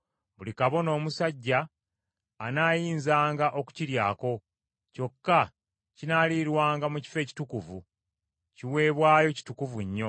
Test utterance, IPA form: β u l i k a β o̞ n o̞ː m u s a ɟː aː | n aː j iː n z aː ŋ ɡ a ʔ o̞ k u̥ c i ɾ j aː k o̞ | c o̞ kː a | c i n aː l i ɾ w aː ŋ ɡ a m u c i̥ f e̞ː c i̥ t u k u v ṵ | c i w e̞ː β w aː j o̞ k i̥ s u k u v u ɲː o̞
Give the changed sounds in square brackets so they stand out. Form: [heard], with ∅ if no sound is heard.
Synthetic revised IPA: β u l i k a β o̞ n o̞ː m u s a ɟː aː | n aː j iː n z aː ŋ ɡ a ʔ o̞ k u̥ c i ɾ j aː k o̞ | c o̞ kː a | c i n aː l i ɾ w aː ŋ ɡ a m u c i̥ f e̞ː c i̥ t u k u v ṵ | c i w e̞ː β w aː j o̞ [c] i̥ [t] u k u v u ɲː o̞